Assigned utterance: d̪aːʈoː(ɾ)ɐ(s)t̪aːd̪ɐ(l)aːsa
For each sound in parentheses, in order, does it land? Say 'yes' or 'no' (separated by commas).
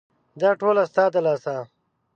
no, yes, yes